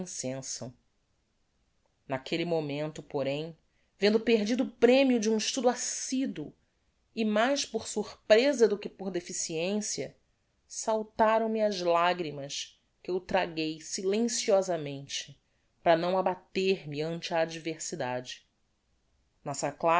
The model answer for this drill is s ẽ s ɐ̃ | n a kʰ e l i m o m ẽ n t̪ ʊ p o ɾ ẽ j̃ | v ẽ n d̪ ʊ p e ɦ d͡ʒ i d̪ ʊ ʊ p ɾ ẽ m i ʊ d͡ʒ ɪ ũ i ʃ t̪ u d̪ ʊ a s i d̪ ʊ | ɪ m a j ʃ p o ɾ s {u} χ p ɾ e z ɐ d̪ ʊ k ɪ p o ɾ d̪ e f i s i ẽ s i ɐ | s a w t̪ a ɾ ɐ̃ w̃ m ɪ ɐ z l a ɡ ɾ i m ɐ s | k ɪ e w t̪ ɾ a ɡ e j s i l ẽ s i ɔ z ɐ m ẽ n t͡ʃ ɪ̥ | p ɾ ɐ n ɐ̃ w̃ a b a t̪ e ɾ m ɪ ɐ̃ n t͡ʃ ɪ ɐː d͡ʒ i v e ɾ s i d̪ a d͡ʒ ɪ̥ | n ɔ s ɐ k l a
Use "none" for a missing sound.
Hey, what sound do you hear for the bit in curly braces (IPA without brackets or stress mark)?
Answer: u